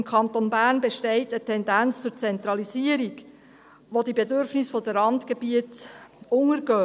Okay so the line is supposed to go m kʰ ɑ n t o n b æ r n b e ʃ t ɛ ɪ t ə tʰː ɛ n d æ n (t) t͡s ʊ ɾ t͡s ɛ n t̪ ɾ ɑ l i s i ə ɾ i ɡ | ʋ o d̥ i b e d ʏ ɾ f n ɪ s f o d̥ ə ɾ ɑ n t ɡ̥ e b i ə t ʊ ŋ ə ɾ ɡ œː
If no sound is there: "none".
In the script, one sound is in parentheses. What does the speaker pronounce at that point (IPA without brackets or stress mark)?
t͡s